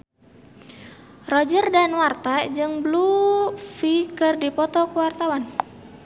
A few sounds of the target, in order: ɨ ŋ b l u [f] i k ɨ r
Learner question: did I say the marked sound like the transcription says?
yes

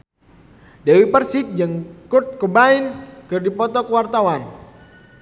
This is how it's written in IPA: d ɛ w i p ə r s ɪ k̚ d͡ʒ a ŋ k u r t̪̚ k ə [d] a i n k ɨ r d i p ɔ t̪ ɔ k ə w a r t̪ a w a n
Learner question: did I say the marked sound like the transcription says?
no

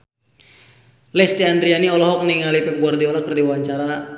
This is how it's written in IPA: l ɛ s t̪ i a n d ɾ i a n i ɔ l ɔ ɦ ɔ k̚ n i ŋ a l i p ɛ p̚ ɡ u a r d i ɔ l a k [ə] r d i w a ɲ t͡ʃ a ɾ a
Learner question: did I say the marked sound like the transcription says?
yes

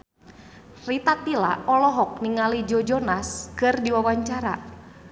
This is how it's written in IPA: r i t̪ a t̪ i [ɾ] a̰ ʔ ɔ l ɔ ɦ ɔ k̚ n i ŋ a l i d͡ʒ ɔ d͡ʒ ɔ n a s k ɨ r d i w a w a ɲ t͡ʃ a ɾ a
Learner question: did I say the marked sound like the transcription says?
no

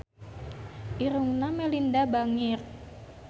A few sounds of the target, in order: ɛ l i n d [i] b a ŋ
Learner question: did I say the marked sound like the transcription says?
no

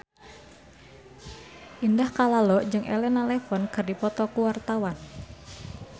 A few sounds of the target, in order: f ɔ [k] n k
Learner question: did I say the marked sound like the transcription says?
no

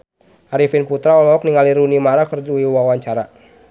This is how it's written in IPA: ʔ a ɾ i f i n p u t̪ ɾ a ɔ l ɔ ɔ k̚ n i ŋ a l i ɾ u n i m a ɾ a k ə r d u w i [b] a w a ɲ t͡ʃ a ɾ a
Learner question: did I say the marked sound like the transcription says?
no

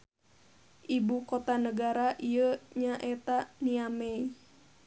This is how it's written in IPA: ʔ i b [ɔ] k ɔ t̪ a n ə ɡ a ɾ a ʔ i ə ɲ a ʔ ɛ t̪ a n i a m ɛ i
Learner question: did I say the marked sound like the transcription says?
no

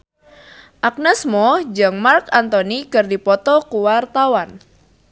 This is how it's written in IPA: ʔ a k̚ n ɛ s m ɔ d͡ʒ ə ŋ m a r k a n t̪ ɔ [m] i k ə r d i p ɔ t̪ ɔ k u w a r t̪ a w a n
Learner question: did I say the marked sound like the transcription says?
no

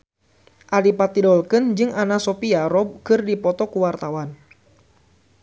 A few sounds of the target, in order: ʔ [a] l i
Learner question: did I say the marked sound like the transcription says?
yes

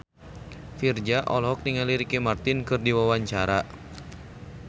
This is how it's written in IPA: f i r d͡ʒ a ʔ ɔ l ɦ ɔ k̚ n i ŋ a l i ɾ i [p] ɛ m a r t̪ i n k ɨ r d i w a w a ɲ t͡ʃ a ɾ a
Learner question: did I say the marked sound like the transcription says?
no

